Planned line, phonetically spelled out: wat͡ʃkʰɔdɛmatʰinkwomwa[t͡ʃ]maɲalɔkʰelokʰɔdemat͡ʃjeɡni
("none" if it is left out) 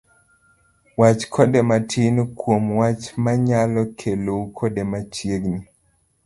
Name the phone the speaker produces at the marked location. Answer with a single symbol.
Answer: t͡ʃ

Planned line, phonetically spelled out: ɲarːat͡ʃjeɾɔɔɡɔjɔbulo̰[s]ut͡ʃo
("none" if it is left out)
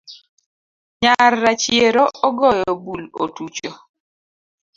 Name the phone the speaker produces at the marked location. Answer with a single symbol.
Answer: t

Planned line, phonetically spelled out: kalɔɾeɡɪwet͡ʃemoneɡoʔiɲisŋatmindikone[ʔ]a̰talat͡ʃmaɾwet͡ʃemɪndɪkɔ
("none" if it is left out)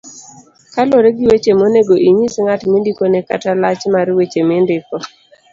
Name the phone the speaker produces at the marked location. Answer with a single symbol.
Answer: k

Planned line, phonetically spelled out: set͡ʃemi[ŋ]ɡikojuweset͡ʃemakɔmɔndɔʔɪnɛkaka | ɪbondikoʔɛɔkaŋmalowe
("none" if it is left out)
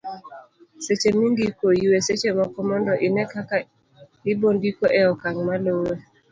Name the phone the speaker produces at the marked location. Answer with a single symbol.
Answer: ŋ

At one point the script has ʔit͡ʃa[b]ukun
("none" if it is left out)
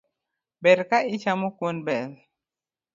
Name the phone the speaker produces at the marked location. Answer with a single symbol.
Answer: m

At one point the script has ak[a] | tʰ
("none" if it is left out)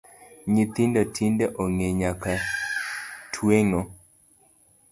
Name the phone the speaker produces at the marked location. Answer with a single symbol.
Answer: a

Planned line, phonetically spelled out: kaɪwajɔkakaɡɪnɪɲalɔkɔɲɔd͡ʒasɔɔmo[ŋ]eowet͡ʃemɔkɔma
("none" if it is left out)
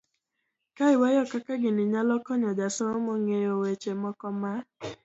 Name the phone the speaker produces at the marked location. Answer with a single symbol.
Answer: ŋ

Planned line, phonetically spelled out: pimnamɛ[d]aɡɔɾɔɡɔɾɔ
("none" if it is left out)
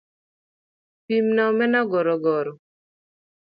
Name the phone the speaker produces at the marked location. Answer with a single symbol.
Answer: n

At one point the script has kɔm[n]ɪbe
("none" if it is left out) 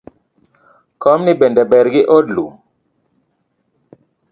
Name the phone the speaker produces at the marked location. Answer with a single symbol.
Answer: n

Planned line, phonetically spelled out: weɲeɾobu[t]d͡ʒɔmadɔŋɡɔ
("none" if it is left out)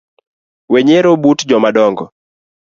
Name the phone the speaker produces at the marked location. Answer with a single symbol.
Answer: t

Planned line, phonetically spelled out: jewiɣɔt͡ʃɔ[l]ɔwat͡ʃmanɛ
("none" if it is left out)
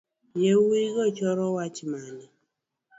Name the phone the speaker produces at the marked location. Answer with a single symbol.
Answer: ɾ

